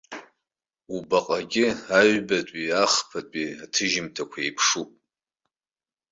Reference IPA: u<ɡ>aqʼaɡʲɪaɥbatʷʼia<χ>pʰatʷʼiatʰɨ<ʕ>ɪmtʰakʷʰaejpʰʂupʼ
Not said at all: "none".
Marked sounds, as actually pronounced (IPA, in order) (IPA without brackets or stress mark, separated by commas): b, χ, ʒ